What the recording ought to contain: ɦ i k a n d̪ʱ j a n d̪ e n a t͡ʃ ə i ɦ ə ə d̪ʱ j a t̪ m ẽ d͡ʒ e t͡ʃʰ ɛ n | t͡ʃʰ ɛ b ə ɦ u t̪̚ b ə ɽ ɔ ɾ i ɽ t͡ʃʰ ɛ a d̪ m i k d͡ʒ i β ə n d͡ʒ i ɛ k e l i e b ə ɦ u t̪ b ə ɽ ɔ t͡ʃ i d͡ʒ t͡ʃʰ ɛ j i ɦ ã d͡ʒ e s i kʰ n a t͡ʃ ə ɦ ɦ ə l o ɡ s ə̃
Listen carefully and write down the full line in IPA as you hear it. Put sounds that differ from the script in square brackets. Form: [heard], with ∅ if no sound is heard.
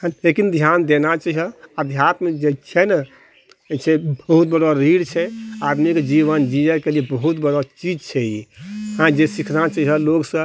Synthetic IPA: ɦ [e] k [i] n d̪ʱ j a n d̪ e n a t͡ʃ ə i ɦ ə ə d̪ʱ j a t̪ m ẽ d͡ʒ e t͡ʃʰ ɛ n | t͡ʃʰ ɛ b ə ɦ u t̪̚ b ə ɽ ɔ ɾ i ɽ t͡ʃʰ ɛ a d̪ m i k d͡ʒ i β ə n d͡ʒ i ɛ k e l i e b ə ɦ u t̪ b ə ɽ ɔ t͡ʃ i d͡ʒ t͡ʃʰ ɛ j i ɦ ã d͡ʒ e s i kʰ n a t͡ʃ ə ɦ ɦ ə l o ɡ s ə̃